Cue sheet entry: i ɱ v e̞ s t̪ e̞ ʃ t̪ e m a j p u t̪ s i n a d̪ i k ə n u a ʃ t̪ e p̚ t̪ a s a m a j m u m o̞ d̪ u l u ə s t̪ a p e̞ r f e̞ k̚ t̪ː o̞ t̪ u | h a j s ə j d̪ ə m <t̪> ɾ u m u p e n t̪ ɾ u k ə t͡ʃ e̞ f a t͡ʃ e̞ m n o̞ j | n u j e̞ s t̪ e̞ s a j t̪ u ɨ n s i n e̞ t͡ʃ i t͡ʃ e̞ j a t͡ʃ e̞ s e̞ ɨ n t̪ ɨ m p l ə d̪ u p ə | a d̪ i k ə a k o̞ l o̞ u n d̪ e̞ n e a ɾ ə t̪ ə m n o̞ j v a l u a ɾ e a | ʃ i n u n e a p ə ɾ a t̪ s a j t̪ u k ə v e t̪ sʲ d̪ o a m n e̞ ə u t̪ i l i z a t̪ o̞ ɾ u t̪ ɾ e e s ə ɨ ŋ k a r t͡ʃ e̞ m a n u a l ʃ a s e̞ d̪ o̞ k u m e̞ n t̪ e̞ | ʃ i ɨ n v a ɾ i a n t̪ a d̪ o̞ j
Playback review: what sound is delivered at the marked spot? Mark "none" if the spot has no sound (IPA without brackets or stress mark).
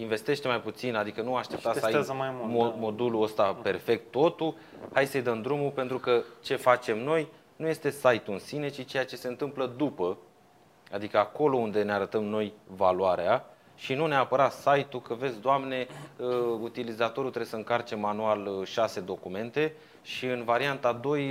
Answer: d̪